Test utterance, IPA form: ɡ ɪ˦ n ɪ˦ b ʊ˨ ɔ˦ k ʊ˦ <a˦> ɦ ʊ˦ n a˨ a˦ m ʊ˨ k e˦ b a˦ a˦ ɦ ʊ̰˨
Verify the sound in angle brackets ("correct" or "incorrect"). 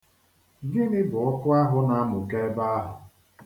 correct